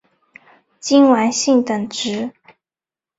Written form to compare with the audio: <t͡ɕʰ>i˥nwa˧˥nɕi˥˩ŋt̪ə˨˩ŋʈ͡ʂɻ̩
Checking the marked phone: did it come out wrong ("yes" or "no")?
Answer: yes